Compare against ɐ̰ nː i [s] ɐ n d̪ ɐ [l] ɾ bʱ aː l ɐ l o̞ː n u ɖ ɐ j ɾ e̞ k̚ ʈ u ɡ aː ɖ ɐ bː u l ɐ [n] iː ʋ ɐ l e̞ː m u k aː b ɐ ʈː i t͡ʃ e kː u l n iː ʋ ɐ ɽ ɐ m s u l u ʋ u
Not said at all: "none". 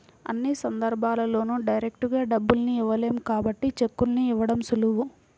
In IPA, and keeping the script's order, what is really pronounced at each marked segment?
s, none, n

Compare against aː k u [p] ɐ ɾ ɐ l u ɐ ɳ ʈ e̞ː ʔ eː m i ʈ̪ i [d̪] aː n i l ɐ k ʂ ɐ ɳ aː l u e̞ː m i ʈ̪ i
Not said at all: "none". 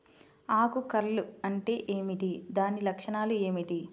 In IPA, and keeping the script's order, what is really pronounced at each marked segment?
k, d̪

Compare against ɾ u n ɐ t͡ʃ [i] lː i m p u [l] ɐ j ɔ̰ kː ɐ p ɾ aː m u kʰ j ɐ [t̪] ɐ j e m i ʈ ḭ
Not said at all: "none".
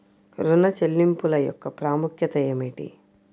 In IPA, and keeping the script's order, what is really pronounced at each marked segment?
e, l, t̪

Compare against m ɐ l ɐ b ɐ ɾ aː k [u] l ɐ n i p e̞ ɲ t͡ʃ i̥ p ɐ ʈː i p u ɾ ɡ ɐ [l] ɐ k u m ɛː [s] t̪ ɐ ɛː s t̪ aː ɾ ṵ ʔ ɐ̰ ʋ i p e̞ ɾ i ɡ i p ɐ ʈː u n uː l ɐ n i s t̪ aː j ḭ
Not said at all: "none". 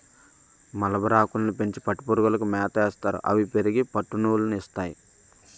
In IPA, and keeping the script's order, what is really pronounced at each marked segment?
u, l, none

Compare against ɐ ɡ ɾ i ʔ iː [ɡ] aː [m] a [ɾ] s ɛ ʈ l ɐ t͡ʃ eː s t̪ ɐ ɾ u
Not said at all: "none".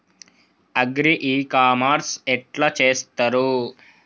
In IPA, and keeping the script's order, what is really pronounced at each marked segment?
k, m, ɾ

